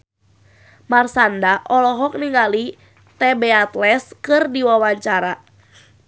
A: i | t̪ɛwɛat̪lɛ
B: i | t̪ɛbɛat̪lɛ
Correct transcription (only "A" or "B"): B